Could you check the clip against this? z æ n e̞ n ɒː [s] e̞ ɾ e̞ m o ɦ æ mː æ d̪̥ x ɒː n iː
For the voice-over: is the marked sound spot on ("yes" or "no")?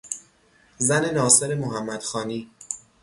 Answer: yes